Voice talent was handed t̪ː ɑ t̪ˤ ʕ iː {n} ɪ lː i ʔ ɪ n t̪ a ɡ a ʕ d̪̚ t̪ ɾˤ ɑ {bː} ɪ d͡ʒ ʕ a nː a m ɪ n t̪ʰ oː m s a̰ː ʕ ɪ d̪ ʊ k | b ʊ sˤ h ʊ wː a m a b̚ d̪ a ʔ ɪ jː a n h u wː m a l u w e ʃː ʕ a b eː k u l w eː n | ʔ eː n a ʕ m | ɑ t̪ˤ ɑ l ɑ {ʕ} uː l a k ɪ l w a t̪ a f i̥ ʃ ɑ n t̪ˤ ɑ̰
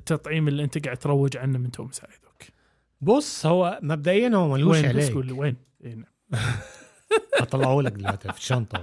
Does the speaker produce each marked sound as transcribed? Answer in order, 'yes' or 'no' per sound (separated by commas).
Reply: no, no, yes